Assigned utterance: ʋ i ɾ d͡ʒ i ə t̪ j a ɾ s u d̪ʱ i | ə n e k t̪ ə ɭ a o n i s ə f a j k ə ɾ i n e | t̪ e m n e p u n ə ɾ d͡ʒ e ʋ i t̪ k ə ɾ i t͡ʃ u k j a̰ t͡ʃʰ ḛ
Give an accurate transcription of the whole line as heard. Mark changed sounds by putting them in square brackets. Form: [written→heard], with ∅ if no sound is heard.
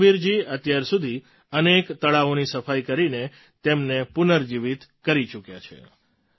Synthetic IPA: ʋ i ɾ d͡ʒ i ə t̪ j a ɾ s u d̪ʱ i | ə n e k t̪ ə ɭ a o n i s ə f a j k ə ɾ i n e | t̪ e m n e p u n ə ɾ d͡ʒ [e→i] ʋ i t̪ k ə ɾ i t͡ʃ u k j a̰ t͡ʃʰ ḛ